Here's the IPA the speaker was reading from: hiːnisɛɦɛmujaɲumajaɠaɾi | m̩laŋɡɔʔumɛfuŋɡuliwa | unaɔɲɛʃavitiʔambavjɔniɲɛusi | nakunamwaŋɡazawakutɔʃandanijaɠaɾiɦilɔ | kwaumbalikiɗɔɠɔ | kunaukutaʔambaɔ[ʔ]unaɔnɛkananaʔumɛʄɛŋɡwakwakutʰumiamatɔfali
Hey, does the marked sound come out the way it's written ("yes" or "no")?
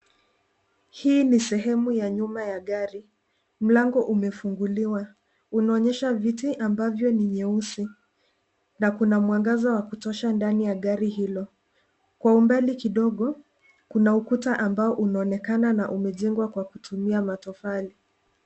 yes